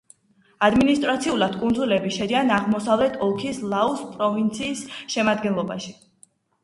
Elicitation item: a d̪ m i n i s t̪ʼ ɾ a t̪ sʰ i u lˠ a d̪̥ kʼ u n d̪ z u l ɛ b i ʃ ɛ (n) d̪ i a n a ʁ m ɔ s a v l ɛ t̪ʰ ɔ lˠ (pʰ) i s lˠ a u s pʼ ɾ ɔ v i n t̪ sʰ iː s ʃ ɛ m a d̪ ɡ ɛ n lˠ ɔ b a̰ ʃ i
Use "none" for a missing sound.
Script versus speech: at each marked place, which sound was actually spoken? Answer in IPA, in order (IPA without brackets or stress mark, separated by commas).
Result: none, kʰ